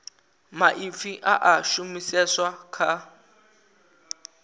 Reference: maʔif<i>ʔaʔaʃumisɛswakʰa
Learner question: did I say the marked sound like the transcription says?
yes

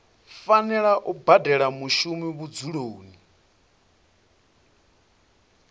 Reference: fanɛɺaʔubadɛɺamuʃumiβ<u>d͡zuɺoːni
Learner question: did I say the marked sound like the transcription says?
yes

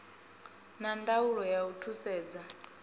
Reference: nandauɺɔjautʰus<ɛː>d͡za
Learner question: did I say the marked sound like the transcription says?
yes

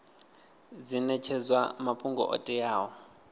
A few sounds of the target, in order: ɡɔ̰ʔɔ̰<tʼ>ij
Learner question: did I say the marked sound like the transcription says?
yes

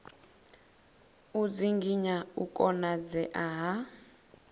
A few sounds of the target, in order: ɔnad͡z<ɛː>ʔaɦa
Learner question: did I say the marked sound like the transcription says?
no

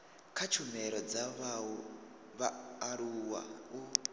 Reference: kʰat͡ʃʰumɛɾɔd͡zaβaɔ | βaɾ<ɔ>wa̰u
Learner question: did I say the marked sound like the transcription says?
no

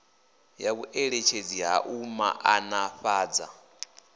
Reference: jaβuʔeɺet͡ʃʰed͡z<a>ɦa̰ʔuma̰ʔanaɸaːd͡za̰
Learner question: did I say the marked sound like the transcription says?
no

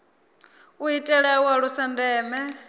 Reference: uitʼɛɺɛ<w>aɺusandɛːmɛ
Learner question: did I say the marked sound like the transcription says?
yes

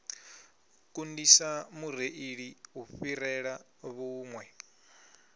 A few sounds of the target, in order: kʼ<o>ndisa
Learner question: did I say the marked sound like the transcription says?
no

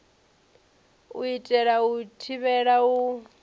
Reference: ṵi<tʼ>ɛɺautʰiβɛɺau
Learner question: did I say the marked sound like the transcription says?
yes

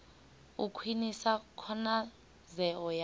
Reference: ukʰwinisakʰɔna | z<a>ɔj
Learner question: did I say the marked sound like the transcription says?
no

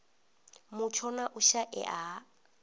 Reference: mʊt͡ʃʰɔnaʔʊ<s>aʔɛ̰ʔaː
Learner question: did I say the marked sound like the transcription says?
no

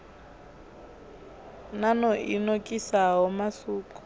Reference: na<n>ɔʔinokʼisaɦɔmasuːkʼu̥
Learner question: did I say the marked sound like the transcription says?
yes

